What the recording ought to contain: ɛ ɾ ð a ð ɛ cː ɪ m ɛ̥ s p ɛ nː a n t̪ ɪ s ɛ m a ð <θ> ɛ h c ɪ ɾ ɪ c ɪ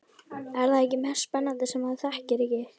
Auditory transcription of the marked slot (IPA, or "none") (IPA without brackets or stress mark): θ